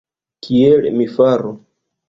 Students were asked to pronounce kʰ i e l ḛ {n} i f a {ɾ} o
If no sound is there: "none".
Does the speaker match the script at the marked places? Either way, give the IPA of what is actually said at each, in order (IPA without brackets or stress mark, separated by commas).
m, ɾ